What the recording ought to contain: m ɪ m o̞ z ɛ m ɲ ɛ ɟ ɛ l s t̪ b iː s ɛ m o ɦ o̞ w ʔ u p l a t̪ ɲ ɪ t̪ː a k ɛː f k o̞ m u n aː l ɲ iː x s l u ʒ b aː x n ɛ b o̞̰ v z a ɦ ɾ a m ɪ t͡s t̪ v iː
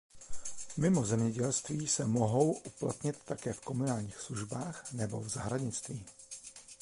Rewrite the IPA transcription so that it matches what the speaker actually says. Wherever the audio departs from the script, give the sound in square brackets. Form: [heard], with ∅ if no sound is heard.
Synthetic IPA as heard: m ɪ m o̞ z ɛ m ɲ ɛ ɟ ɛ l s t̪ [v] iː s ɛ m o ɦ o̞ w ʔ u p l a t̪ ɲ ɪ t̪ː a k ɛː f k o̞ m u n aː l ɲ iː x s l u ʒ b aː x n ɛ b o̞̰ v z a ɦ ɾ a [ɲ] ɪ t͡s t̪ v iː